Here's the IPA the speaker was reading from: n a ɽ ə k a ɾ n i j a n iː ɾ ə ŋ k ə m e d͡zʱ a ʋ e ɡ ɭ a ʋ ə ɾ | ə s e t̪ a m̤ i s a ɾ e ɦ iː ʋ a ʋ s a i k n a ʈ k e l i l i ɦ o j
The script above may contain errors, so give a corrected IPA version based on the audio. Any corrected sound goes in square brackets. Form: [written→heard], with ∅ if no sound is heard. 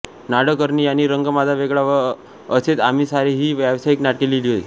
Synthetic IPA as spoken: n a ɽ ə k [a→ə] ɾ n i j a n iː ɾ ə ŋ [k→ɡ] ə m [e→a] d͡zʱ a ʋ e ɡ ɭ a ʋ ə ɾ | ə s e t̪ a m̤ i s a ɾ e ɦ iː ʋ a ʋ s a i k n a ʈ k e l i l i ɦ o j

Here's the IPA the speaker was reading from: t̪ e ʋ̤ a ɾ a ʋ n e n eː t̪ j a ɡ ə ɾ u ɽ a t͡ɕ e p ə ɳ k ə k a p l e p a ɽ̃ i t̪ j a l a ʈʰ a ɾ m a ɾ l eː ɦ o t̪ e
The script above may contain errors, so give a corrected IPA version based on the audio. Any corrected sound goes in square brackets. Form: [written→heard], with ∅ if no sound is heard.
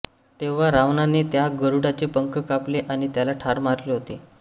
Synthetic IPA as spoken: t̪ e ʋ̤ a ɾ a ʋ n [e→a] n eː t̪ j a ɡ ə ɾ u ɽ a t͡ɕ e p ə [ɳ→ŋ] k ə k a p l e [p→ʔ] a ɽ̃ i t̪ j a l a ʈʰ a ɾ m a ɾ l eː ɦ o t̪ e

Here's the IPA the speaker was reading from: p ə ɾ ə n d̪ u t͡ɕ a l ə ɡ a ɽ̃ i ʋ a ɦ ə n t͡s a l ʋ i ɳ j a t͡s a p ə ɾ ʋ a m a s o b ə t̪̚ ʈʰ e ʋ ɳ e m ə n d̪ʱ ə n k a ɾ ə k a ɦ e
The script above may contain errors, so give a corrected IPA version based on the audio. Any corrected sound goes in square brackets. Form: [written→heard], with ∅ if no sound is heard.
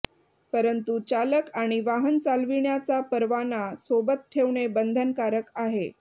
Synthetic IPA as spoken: p ə ɾ ə n [d̪→t̪] u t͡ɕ a l ə [ɡ→k] a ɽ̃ i ʋ a ɦ ə n t͡s a l ʋ i ɳ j a t͡s a p ə ɾ ʋ a [m→n] a s o b ə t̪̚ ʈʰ e ʋ ɳ e [m→b] ə n d̪ʱ ə n k a ɾ ə k a ɦ e

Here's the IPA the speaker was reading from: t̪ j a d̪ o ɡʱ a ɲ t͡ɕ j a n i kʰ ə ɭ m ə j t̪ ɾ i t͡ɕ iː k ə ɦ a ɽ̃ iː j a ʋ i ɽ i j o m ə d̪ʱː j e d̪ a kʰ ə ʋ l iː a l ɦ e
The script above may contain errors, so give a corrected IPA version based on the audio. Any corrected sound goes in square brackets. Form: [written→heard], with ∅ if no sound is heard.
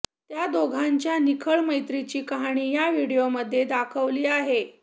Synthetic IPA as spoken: t̪ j a d̪ o ɡʱ a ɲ t͡ɕ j a n i kʰ ə ɭ m ə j t̪ ɾ i t͡ɕ iː k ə ɦ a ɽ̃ iː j a ʋ i ɽ i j o m ə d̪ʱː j e d̪ a kʰ ə ʋ l iː a [l→∅] ɦ e

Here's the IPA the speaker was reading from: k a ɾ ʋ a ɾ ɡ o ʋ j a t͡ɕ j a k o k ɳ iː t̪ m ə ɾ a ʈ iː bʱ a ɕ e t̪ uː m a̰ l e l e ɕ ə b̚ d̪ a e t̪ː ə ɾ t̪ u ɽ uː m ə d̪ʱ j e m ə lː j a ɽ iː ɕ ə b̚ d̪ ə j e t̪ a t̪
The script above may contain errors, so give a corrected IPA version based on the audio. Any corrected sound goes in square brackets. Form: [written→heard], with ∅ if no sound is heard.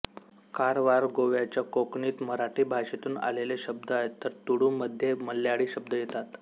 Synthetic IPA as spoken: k a ɾ ʋ a ɾ ɡ o ʋ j a t͡ɕ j a k o k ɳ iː t̪ m ə ɾ a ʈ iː bʱ a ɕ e t̪ uː [m→n] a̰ l e l e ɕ ə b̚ d̪ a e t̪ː ə ɾ t̪ u ɽ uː m ə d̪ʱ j e m ə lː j a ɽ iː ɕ ə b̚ d̪ ə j e t̪ a t̪

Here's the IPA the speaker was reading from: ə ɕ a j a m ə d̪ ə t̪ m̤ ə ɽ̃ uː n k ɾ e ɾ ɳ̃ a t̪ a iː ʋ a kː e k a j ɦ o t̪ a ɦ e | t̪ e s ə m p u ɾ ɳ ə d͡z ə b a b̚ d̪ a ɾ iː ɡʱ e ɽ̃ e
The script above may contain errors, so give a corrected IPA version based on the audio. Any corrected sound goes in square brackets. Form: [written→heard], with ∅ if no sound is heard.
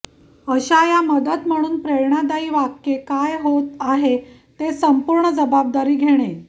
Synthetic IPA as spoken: ə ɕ a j a m ə d̪ ə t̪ m̤ ə ɽ̃ uː n [k→p] ɾ e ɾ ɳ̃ a [t̪→d̪] a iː ʋ a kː e k a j ɦ o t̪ a ɦ e | t̪ e s ə m p u ɾ ɳ ə d͡z ə b a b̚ d̪ a ɾ iː ɡʱ e ɽ̃ e

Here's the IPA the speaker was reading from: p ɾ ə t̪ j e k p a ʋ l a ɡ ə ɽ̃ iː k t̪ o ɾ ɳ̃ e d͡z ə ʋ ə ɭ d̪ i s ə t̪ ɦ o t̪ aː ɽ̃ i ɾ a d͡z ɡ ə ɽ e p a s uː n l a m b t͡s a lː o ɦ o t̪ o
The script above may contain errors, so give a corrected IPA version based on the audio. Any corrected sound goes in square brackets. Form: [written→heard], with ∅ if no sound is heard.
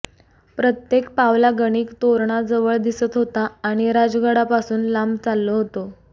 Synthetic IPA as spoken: p ɾ ə t̪ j e k p a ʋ l a ɡ ə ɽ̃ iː k t̪ o ɾ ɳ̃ [e→a] d͡z ə ʋ ə ɭ d̪ i s ə t̪ ɦ o t̪ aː ɽ̃ i ɾ a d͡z ɡ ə ɽ [e→a] p a s uː n l a m b t͡s a lː o ɦ o t̪ o

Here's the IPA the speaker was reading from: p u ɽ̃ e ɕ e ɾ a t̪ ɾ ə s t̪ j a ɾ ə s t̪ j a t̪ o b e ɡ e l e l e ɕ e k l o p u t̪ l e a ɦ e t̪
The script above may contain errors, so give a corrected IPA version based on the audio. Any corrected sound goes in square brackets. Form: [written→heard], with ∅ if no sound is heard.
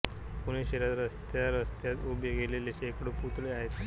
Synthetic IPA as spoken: p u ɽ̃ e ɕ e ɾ a t̪ ɾ ə s t̪ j a ɾ ə s t̪ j a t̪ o b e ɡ e l e l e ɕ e k [l→ɽ] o p u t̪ l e a ɦ e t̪

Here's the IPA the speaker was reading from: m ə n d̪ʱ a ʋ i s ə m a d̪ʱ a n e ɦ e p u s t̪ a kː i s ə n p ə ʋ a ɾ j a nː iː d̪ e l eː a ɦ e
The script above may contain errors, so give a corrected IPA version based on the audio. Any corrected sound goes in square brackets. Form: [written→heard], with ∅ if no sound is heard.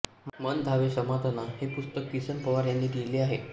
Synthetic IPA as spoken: m ə n d̪ʱ a ʋ [i→e] s ə m a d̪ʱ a n [e→a] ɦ e p u s t̪ [a→ə] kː i s ə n p ə ʋ a ɾ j a nː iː d̪ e l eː a ɦ e

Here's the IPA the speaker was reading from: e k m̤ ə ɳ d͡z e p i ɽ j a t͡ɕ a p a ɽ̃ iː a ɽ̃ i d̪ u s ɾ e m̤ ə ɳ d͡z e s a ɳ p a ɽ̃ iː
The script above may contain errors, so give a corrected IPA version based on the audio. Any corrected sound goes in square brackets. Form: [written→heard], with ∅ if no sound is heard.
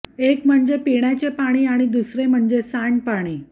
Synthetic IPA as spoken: e k m̤ ə ɳ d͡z e p i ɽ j a t͡ɕ [a→e] p a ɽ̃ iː a ɽ̃ i d̪ u s ɾ e m̤ ə ɳ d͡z e s a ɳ p a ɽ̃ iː

